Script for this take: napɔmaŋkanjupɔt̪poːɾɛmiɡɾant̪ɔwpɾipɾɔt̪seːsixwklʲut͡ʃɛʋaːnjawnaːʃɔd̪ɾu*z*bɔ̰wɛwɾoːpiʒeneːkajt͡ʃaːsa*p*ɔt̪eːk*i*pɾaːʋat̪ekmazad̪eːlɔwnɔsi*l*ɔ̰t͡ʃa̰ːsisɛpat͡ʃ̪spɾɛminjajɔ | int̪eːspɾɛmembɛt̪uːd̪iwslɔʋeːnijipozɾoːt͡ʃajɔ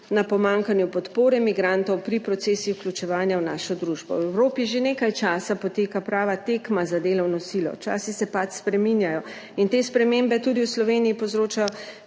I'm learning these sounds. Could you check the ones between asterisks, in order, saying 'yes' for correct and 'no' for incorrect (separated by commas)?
no, yes, no, yes